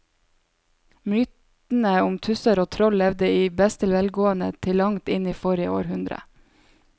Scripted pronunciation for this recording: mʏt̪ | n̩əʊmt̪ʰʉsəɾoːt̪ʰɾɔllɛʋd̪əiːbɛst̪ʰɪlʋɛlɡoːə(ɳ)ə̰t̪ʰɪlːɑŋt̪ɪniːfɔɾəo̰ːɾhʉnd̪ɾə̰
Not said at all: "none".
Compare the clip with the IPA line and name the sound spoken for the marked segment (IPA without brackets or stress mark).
n